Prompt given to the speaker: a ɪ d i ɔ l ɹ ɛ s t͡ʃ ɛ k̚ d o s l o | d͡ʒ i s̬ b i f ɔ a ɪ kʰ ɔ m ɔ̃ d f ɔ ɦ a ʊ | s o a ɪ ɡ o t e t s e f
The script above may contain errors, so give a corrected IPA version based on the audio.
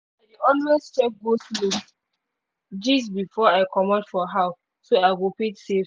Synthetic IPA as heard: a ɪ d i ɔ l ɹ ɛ s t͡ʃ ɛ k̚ ɡ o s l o | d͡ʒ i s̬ b i f ɔ a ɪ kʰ ɔ m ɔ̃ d f ɔ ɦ a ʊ | s o a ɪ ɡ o p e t s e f